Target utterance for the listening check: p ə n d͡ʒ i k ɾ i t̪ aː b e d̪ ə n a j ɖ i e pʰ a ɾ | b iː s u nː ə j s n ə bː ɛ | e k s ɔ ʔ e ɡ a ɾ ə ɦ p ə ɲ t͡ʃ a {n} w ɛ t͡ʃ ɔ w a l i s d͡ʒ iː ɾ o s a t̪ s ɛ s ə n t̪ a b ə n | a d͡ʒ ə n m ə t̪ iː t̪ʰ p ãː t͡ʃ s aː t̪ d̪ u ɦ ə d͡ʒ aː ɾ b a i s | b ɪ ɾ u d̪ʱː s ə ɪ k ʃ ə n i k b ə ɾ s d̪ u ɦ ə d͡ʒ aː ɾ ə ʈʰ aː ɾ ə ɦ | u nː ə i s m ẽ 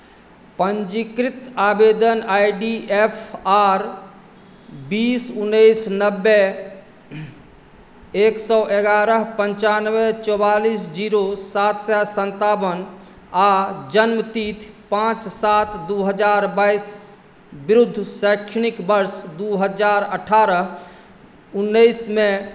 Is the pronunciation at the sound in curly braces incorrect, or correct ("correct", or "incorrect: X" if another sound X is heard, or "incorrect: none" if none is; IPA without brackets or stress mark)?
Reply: correct